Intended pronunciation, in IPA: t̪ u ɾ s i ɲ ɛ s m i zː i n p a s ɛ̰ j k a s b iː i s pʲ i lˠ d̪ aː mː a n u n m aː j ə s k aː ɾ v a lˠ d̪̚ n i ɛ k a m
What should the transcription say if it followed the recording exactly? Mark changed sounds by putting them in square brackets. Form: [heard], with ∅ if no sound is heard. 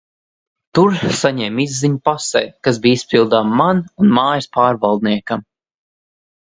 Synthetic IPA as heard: t̪ u ɾ s [a] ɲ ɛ [∅] m i zː i [ɲ] p a s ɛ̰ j k a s b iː i s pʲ i lˠ d̪ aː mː a n u n m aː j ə s [p] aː ɾ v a lˠ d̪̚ n i ɛ k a m